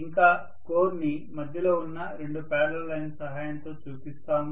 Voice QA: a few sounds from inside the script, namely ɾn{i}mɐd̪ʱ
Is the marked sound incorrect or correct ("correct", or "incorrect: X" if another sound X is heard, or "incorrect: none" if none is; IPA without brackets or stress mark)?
correct